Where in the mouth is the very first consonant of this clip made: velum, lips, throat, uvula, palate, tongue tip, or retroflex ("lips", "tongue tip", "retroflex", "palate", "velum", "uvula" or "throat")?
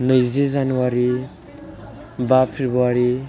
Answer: tongue tip